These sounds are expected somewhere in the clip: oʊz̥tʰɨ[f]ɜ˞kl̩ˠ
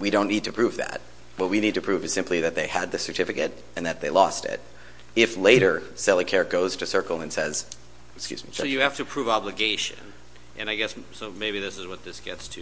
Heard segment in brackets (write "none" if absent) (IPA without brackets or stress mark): s